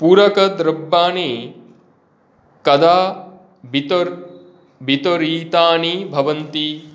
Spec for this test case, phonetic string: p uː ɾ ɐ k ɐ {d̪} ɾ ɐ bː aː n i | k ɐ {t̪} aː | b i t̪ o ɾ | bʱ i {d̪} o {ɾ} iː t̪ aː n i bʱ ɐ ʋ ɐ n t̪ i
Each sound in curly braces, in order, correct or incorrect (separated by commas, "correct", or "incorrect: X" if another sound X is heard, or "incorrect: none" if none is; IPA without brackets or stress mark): correct, incorrect: d̪, incorrect: t̪, correct